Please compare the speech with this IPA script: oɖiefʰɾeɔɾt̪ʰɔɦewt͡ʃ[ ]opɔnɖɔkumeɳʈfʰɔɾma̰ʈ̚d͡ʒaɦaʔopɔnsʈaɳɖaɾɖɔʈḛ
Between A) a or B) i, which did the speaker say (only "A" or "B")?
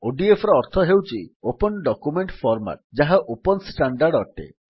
B